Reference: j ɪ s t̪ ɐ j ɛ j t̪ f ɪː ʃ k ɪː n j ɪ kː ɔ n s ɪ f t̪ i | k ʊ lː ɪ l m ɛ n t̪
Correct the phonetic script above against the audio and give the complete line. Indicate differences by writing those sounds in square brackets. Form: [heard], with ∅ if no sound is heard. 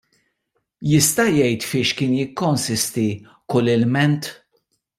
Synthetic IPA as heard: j ɪ s t̪ ɐ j ɛ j t̪ f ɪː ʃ k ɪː n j ɪ kː ɔ n s ɪ [s] t̪ i | k ʊ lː ɪ l m ɛ n t̪